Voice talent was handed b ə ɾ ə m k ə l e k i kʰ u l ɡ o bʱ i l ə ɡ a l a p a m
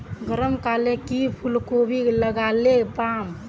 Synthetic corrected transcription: ɡ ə ɾ ə m k a l e k i pʰ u l k o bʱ i l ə ɡ a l e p a m